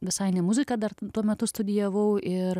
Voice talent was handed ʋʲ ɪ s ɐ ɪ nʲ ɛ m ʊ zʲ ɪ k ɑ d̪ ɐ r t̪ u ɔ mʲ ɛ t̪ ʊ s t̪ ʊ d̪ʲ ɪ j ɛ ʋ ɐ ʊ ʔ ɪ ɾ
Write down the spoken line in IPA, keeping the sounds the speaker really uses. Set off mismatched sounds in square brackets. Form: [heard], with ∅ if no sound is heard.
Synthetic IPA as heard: ʋʲ ɪ s ɐ ɪ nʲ ɛ m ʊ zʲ ɪ k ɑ d̪ ɐ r t̪ u ɔ mʲ ɛ t̪ ʊ s t̪ ʊ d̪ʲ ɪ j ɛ ʋ ɐ ʊ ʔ ɪ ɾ